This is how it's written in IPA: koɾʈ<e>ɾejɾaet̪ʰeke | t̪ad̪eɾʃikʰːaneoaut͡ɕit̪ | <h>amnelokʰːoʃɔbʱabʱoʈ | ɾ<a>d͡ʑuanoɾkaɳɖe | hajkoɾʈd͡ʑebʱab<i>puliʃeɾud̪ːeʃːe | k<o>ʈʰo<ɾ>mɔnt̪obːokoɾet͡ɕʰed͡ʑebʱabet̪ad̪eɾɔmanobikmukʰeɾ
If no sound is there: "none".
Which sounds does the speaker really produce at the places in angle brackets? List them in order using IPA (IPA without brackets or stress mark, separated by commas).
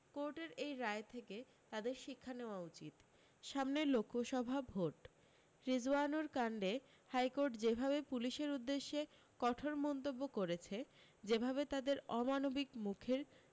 e, ʃ, i, e, ɔ, ɾ